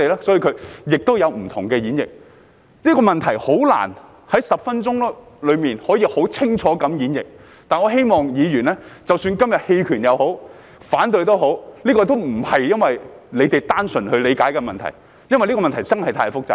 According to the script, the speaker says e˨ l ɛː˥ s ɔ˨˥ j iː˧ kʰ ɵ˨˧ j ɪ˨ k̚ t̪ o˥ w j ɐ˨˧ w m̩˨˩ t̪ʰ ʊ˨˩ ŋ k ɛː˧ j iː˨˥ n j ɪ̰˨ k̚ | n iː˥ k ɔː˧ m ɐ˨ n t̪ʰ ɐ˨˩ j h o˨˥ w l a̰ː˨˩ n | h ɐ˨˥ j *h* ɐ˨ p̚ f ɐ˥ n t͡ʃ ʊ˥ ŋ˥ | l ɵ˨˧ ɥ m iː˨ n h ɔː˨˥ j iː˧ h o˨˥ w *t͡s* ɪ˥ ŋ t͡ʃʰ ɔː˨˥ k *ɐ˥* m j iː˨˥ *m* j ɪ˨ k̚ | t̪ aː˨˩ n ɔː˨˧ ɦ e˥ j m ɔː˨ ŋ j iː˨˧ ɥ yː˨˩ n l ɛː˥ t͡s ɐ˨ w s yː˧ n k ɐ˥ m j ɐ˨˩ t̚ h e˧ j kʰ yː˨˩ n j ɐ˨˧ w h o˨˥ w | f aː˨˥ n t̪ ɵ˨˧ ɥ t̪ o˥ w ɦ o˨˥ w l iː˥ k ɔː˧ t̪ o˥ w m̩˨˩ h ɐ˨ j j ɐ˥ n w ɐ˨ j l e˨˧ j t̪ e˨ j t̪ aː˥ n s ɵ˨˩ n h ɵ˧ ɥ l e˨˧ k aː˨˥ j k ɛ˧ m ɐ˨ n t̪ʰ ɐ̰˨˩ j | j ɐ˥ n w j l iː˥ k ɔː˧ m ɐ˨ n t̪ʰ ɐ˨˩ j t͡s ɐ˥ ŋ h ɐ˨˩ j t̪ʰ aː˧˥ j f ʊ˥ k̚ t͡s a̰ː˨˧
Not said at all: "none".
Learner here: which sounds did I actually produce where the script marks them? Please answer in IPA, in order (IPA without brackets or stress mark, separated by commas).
s, t͡sʰ, ɐ˨˥, n